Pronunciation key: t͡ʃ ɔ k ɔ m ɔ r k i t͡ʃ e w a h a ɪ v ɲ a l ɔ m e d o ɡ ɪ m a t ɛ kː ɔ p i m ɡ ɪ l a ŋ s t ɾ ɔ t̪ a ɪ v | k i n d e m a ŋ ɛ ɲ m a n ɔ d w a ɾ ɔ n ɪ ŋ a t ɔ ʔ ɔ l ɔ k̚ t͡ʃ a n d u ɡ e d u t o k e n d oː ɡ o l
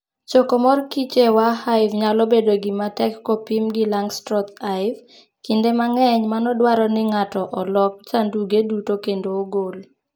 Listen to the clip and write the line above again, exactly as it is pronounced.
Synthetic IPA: t͡ʃ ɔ k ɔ m ɔ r k i t͡ʃ e w a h a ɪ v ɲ a l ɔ b e d o ɡ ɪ m a t ɛ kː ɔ p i m ɡ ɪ l a ŋ s t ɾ ɔ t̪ a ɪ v | k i n d e m a ŋ ɛ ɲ m a n ɔ d w a ɾ ɔ n ɪ ŋ a t ɔ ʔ ɔ l ɔ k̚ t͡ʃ a n d u ɡ e d u t o k e n d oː ɡ o l